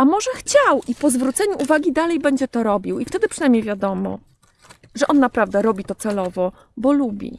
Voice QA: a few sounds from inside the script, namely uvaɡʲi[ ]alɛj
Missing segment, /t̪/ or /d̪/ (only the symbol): d̪